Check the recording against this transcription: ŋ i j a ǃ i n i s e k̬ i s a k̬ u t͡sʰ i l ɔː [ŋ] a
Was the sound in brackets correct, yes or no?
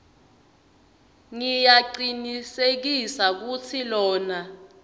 no